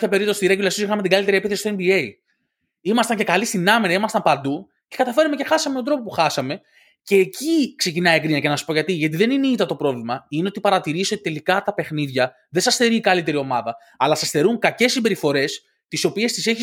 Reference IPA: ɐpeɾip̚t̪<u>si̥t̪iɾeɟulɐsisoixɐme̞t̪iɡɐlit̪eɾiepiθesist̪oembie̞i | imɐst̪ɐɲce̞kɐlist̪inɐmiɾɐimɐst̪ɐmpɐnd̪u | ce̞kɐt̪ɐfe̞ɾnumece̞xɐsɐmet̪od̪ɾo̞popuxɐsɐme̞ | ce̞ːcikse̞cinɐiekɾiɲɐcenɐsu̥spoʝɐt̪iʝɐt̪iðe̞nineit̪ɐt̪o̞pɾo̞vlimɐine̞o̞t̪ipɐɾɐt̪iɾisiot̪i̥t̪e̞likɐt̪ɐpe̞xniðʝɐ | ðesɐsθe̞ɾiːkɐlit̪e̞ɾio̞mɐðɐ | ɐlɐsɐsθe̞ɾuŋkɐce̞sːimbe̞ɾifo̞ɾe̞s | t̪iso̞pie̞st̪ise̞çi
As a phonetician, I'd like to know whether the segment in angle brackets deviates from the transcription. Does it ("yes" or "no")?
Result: yes